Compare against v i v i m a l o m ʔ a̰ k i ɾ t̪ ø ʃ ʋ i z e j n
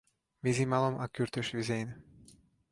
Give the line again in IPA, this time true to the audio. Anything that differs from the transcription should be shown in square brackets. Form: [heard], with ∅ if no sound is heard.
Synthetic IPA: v i [z] i m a l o m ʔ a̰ k [y] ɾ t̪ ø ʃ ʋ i z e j n